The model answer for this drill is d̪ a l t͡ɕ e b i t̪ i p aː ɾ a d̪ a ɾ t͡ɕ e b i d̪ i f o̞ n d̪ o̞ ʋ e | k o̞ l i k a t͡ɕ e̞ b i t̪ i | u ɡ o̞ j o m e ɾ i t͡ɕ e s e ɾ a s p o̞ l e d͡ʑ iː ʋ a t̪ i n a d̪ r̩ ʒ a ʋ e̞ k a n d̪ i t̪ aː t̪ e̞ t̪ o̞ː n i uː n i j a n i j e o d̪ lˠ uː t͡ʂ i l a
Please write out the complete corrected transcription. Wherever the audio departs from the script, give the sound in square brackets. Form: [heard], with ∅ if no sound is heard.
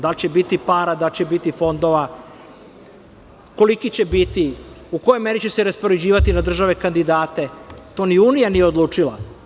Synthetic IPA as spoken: d̪ a l t͡ɕ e b i t̪ i p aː ɾ a d̪ a [l] t͡ɕ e b i [t̪] i f o̞ n d̪ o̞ ʋ [a] | k o̞ l i k [i] t͡ɕ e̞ b i t̪ i | u [k] o̞ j o m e ɾ i t͡ɕ e s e ɾ a s p o̞ [ɾ] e d͡ʑ iː ʋ a t̪ i n a d̪ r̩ ʒ a ʋ e̞ k a n d̪ i [d̪] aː t̪ e̞ t̪ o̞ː n i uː n i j a n i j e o d̪ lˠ uː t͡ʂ i l a